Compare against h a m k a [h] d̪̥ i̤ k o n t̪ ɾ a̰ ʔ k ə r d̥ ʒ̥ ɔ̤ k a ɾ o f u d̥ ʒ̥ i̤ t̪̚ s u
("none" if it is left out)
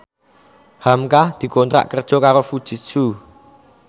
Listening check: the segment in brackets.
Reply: h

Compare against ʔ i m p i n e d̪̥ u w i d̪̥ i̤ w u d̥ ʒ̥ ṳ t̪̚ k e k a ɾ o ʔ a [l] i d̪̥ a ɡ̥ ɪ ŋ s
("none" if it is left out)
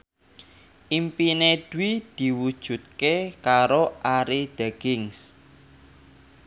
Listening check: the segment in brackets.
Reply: ɾ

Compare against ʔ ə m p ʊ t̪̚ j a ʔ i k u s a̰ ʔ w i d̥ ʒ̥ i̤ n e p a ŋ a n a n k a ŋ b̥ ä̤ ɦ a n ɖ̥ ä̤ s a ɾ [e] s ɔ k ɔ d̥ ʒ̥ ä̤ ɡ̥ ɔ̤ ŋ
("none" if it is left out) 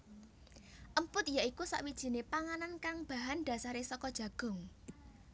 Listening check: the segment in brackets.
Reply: e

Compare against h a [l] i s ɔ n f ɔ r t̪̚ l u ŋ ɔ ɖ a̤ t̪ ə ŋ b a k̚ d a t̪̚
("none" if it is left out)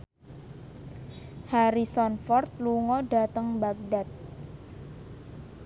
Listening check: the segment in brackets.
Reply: ɾ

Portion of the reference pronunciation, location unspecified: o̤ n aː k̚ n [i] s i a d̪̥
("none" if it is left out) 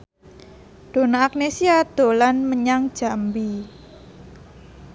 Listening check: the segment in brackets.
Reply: e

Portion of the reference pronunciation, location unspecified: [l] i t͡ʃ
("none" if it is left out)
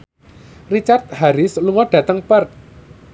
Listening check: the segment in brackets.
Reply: r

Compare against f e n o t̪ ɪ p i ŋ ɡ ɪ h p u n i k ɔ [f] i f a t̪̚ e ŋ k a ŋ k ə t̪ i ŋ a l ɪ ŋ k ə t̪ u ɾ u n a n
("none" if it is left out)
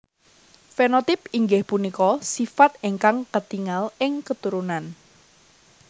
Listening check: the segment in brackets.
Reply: s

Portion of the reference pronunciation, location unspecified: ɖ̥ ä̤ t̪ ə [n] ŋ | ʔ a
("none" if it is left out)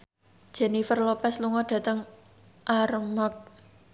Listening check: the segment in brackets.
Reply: none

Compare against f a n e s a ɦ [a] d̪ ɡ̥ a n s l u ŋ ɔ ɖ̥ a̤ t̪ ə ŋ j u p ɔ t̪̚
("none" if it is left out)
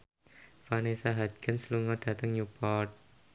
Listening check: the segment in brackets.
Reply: a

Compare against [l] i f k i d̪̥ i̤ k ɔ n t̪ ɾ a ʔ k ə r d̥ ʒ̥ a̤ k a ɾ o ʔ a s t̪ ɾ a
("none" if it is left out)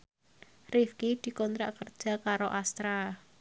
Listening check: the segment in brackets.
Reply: r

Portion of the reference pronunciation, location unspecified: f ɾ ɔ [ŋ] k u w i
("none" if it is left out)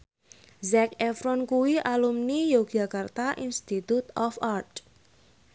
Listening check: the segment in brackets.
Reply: n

